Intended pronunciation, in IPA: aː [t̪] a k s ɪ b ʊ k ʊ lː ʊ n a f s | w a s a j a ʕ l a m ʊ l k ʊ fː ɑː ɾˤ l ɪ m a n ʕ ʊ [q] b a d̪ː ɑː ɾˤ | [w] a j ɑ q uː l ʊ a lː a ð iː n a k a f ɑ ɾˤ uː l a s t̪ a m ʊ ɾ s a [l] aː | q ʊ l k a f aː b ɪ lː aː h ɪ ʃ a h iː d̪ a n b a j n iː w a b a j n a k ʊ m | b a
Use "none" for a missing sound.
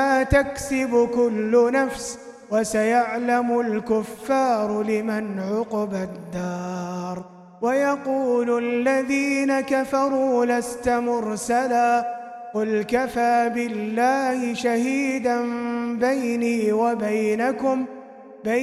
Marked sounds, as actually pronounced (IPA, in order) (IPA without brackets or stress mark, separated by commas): t̪, q, w, l